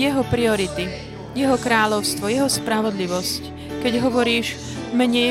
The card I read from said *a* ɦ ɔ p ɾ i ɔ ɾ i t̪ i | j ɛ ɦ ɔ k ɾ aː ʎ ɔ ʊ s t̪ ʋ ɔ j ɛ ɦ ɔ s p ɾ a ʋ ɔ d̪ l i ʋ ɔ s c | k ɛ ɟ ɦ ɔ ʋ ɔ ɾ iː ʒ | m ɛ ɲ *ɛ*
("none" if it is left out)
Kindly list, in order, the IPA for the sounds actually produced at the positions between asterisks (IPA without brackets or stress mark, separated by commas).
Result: ɛ, ɛ